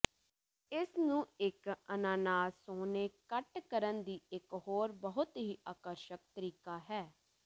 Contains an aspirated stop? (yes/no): no